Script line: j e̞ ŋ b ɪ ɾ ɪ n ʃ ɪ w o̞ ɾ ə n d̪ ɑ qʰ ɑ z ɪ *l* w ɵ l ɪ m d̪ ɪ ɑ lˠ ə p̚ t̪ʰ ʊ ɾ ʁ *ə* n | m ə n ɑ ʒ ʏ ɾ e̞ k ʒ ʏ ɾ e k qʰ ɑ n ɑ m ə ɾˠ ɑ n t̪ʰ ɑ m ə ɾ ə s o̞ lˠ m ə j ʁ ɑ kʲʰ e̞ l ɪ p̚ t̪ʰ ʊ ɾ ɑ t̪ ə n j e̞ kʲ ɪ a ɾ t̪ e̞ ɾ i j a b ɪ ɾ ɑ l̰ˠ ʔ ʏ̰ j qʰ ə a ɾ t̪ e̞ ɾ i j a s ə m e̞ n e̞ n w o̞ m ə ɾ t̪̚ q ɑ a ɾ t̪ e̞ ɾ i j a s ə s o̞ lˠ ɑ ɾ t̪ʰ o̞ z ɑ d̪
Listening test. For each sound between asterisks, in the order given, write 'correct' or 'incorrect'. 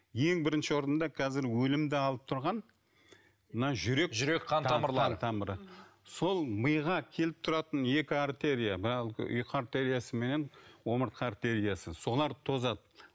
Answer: incorrect, incorrect

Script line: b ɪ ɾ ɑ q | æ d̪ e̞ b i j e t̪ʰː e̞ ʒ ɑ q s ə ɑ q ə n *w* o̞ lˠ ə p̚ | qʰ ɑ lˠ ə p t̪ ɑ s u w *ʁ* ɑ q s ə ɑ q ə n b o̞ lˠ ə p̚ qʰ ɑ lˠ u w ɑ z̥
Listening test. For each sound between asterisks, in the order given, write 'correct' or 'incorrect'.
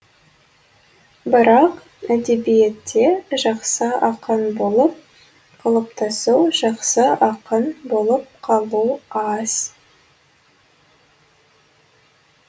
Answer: incorrect, incorrect

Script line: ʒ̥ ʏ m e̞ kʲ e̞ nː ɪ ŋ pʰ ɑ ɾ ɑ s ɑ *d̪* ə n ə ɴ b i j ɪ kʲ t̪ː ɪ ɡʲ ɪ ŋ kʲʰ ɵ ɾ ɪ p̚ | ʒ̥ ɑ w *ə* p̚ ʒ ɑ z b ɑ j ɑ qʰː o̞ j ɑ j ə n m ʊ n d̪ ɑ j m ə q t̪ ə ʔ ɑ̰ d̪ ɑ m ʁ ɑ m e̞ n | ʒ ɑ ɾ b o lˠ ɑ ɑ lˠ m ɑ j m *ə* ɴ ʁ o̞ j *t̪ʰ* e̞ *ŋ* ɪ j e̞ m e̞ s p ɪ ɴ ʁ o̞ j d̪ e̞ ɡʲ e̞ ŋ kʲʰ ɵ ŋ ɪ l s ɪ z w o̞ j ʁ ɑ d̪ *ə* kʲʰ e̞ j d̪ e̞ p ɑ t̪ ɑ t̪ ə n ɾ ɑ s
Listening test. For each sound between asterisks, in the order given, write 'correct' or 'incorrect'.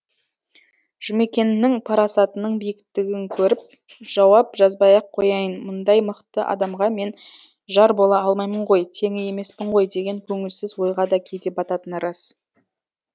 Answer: incorrect, incorrect, correct, correct, correct, incorrect

